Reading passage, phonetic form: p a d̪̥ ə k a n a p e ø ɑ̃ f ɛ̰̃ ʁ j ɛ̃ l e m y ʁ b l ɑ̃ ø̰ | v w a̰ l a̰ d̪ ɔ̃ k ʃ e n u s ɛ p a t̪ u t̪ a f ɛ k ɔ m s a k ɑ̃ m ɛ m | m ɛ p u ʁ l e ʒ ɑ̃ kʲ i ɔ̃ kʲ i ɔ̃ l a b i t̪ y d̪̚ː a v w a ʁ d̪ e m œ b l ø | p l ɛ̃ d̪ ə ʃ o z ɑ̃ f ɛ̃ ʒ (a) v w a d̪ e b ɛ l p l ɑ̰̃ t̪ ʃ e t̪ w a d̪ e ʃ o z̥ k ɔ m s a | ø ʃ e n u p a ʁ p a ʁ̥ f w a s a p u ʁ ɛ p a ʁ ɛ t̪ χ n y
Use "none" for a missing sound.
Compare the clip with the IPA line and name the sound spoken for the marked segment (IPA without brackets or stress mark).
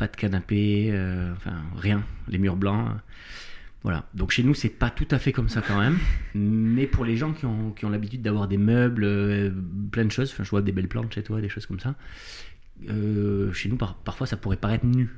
ə